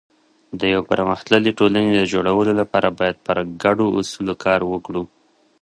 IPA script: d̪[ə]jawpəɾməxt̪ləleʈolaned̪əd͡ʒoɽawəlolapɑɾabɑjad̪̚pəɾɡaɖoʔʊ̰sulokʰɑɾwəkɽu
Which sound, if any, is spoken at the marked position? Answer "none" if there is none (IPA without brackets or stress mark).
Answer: ə